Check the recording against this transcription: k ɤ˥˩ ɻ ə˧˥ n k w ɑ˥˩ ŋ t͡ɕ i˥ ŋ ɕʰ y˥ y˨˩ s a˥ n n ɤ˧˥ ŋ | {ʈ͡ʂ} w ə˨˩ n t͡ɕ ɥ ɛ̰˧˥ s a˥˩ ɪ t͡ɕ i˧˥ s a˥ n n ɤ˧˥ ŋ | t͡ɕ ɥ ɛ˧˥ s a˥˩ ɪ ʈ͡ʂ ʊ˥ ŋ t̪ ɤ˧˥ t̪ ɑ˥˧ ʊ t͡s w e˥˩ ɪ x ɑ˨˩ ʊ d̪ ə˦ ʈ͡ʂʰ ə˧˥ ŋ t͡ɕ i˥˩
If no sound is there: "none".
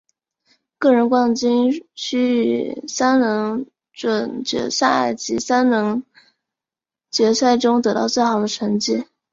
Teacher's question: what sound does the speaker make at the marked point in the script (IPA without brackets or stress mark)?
ʈ͡ʂ